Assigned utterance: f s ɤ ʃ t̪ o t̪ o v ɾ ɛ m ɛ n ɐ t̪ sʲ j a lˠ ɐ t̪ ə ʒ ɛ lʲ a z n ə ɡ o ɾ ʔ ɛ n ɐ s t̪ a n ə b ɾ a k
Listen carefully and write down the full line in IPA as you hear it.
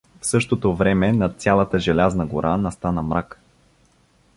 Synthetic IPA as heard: f s ɤ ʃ t̪ o t̪ o v ɾ ɛ m ɛ n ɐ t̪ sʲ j a lˠ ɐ t̪ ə ʒ ɛ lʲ a z n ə ɡ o ɾ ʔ a n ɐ s t̪ a n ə m ɾ a k